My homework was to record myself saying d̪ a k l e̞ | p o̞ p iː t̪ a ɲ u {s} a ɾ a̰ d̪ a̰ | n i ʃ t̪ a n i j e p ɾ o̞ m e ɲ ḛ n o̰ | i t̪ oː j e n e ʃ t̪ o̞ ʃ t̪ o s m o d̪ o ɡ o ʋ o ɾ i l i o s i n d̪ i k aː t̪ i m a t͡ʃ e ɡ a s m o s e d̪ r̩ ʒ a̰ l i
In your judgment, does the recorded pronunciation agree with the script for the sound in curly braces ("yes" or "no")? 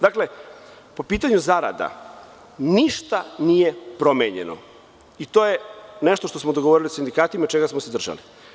no